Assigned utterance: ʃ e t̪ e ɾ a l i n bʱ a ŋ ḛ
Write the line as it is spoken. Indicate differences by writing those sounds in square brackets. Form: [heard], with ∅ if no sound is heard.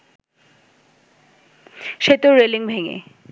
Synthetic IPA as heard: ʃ e t̪ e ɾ [e] l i [ŋ] bʱ [e] ŋ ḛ